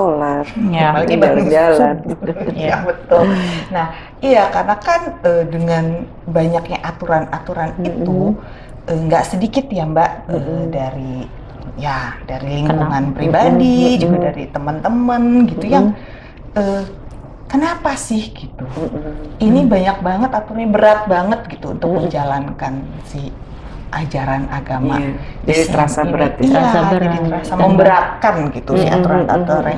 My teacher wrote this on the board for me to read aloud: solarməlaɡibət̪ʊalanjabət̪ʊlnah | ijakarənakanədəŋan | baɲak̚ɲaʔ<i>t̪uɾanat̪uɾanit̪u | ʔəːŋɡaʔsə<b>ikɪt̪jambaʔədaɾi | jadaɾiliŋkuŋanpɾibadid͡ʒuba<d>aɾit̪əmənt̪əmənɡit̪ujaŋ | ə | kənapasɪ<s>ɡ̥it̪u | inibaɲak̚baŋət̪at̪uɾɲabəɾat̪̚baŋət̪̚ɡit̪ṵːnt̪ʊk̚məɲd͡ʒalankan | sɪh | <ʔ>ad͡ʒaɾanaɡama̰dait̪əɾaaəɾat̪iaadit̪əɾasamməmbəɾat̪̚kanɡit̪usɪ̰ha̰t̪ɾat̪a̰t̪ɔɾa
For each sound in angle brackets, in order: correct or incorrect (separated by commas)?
incorrect, incorrect, correct, incorrect, correct